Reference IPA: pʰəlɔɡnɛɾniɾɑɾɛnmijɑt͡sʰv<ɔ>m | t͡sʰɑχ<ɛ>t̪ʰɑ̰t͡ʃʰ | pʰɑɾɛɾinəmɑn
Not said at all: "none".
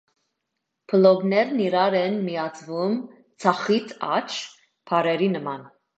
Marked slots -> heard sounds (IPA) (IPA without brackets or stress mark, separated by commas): u, i